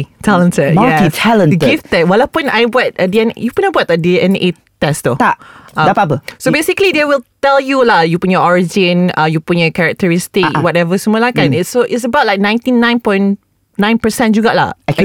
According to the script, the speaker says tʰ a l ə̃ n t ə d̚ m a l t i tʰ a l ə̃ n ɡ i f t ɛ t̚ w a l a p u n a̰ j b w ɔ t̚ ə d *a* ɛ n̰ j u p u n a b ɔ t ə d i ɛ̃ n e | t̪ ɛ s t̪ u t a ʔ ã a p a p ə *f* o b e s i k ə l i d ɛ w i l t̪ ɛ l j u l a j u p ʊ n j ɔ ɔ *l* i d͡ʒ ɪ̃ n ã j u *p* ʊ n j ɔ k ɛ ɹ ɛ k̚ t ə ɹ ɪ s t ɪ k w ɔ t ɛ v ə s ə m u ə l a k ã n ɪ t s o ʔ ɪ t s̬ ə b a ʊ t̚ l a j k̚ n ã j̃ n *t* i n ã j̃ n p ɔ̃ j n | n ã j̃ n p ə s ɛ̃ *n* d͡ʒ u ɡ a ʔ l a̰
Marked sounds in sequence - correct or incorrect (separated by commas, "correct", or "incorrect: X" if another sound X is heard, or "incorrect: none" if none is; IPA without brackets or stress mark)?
incorrect: i, incorrect: s, incorrect: ɹ, correct, correct, correct